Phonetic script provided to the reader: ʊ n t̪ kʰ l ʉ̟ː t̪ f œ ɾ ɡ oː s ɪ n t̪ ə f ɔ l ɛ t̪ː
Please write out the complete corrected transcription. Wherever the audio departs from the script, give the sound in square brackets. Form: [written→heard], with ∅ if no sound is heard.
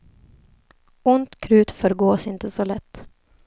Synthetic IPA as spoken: ʊ n t̪ kʰ [l→ɾ] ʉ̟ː t̪ f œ ɾ ɡ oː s ɪ n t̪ ə [f→s] ɔ l ɛ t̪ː